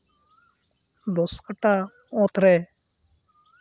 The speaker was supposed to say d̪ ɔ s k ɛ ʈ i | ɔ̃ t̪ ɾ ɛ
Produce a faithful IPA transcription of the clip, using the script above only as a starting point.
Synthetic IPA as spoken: d̪ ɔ s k a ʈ a | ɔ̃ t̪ ɾ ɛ